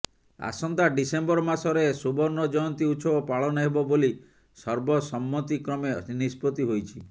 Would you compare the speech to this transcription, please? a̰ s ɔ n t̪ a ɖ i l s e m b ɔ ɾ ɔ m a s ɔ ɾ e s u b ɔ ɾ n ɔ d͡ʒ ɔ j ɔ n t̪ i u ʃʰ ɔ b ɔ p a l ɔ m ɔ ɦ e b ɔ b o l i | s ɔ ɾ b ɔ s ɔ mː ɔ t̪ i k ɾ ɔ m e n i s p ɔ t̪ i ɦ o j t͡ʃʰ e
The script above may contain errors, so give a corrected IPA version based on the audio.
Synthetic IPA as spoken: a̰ s ɔ n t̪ a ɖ i s e m b ɔ ɾ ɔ m a s ɔ ɾ e s u b ɔ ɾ n ɔ d͡ʒ ɔ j ɔ n t̪ i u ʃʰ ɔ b ɔ p a ɭ ɔ n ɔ ɦ e b ɔ b o l i | s ɔ ɾ b ɔ s ɔ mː ɔ t̪ i k ɾ ɔ m e n i s p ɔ t̪ i ɦ o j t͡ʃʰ i